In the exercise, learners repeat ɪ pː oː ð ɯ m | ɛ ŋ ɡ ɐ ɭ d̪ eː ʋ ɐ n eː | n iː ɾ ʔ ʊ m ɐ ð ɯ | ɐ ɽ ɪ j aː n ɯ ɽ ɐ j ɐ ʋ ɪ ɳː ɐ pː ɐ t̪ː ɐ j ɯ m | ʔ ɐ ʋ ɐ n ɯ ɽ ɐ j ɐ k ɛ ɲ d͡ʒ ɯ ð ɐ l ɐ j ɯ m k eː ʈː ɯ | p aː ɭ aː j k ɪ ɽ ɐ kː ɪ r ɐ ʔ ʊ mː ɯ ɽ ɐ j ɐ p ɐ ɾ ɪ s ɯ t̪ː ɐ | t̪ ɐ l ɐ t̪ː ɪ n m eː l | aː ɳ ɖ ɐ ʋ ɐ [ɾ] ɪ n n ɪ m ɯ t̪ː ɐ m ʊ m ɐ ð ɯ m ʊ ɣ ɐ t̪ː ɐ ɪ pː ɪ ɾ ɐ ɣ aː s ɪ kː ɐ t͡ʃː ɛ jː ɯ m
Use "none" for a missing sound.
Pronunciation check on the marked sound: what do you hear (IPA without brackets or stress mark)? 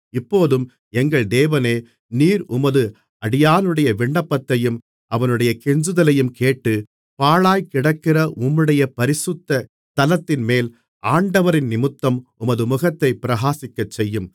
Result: ɾ